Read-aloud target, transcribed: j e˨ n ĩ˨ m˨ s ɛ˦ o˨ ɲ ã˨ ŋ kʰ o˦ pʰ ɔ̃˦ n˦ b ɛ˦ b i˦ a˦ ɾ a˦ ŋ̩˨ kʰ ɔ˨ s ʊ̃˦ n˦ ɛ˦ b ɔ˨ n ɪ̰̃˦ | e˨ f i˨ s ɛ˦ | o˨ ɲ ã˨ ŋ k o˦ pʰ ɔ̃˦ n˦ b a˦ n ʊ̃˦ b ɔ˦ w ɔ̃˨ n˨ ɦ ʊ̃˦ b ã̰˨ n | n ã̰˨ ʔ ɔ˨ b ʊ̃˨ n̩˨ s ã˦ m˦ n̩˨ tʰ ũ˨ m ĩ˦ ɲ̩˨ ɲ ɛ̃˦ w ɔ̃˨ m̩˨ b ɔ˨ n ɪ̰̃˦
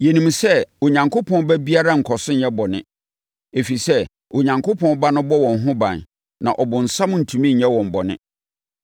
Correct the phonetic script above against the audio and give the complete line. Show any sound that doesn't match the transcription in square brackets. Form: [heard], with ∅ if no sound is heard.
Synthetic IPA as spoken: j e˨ n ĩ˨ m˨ s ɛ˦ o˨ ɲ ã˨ ŋ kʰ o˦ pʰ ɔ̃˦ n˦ b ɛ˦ b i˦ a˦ ɾ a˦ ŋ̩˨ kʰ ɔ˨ s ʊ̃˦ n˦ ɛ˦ b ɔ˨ n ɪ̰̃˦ | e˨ f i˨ s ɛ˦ | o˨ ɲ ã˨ ŋ k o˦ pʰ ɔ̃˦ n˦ b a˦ n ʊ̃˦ b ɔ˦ w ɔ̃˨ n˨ ɦ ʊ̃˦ b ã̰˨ n | n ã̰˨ ʔ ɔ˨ b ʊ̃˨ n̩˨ s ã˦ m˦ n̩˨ tʰ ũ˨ m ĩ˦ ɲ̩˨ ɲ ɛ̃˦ w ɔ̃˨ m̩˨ b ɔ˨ n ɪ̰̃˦